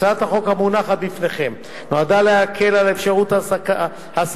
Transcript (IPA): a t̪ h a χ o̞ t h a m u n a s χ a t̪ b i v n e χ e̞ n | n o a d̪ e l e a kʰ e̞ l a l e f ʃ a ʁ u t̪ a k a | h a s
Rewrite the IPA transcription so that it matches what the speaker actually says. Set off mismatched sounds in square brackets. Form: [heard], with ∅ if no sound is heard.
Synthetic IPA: a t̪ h a χ o̞ [k] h a m u n a [∅] χ a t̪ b i [f] n e χ e̞ [m] | n o a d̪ [a] l e a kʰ e̞ l a l e f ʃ a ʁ u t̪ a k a | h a s